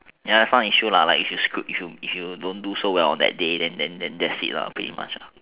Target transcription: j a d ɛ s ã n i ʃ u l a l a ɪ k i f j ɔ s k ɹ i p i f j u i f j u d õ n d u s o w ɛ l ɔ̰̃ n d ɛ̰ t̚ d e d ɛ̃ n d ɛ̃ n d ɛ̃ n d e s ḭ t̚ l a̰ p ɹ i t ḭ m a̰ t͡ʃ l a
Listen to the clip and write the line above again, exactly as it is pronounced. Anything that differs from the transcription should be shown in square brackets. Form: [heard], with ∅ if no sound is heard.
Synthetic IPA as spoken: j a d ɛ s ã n i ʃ u l a l a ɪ k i f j [u] s k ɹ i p i f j u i f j u d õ n d u s o w ɛ l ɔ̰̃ n d ɛ̰ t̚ d e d ɛ̃ n d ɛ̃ n d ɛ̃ n d [ɛ] s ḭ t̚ l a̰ p ɹ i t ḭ m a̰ t͡ʃ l a